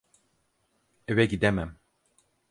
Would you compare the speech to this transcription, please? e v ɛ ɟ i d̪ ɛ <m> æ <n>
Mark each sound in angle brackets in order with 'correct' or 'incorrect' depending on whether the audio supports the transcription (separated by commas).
correct, incorrect